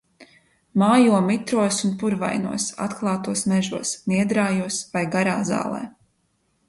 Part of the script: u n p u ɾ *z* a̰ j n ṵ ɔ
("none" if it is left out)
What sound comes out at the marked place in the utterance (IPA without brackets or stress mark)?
v